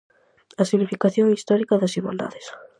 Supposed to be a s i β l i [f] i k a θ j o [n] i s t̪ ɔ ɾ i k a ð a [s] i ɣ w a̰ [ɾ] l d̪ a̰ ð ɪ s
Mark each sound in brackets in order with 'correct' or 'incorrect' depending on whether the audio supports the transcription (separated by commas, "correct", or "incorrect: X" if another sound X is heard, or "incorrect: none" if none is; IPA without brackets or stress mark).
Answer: correct, incorrect: ŋ, correct, incorrect: none